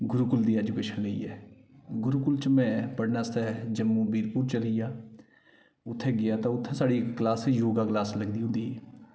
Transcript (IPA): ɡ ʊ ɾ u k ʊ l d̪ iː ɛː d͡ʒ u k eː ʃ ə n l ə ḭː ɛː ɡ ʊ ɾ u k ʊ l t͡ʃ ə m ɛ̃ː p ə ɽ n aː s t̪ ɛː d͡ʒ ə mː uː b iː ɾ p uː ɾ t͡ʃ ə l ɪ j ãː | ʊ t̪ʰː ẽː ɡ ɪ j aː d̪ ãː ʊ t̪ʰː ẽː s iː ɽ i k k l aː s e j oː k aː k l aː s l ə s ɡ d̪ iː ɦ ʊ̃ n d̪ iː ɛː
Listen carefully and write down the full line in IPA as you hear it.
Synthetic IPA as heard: ɡ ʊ ɾ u k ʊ l d̪ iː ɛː d͡ʒ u k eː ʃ ə n l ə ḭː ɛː ɡ ʊ ɾ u k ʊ l t͡ʃ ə m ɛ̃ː p ə ɽ n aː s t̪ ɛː d͡ʒ ə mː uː b iː ɾ p uː ɾ t͡ʃ ə l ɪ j aː | ʊ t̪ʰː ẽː ɡ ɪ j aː t̪ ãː ʊ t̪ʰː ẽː s aː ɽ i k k l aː s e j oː ɡ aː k l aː s l ə ɡ d̪ iː ɦ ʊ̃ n d̪ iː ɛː